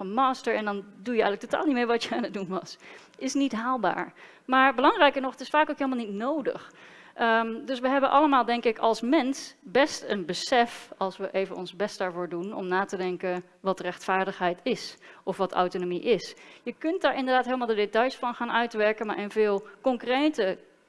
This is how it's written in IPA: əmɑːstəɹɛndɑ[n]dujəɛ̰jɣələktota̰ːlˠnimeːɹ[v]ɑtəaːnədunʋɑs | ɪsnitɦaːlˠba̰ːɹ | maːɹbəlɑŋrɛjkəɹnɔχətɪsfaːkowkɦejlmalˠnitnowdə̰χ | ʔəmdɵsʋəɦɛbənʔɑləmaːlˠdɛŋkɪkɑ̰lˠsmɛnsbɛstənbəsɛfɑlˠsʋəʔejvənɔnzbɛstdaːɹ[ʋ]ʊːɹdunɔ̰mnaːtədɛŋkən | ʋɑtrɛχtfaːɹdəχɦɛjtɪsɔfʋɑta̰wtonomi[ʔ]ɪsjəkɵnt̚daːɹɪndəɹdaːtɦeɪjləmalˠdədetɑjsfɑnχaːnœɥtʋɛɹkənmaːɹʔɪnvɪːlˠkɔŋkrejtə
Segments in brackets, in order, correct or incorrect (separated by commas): correct, incorrect, incorrect, correct